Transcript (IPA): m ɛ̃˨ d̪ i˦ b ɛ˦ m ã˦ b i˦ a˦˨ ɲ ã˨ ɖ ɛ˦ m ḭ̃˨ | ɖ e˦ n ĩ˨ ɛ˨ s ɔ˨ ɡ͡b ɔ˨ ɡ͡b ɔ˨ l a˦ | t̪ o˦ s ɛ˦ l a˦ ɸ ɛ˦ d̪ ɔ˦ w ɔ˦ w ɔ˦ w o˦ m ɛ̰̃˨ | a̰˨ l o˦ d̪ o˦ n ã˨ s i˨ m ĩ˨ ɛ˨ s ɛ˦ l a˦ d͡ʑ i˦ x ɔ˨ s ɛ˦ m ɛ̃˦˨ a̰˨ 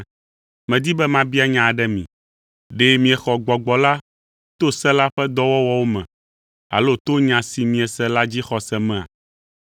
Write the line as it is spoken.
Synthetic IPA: m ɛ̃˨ d̪ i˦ b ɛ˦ m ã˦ b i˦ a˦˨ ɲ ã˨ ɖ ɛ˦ m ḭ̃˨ | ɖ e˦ m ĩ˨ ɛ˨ x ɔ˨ ɡ͡b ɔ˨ ɡ͡b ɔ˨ l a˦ | t̪ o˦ s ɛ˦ l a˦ ɸ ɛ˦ d̪ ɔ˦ w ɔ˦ w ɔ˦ w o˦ m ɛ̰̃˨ | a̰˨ l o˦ t̪ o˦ ɲ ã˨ s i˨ m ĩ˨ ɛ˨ s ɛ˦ l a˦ d͡ʑ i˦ x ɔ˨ s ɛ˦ m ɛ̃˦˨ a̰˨